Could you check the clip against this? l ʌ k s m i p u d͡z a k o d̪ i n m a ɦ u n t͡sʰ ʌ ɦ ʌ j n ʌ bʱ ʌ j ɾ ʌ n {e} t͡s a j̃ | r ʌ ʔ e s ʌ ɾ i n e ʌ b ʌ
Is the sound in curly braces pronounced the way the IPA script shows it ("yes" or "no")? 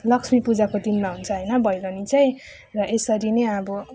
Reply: no